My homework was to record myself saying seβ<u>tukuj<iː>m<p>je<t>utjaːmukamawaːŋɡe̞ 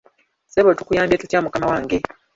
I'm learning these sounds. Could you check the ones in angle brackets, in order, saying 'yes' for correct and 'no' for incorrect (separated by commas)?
no, no, no, yes